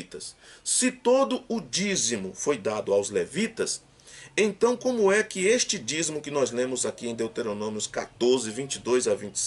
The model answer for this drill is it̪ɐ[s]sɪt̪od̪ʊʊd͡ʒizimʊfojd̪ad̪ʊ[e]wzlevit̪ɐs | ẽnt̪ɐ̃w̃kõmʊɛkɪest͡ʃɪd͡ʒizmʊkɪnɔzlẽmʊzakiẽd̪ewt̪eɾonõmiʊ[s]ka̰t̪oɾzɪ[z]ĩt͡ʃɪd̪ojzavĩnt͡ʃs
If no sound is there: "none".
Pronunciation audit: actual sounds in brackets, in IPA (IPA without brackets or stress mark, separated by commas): s, a, s, v